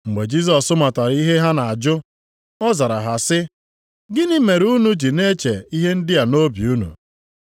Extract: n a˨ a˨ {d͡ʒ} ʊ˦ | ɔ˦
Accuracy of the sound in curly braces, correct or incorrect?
correct